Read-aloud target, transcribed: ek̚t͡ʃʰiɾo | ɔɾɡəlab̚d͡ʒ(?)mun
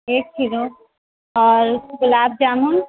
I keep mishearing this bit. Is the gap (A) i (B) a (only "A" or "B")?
B